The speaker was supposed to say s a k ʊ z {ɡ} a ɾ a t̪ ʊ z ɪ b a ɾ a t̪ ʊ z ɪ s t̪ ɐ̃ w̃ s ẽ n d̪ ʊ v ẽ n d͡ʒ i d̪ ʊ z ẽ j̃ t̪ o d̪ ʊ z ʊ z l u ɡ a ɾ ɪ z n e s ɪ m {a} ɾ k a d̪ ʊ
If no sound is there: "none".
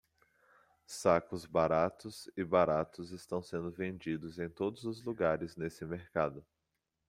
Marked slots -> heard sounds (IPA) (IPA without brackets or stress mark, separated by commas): b, e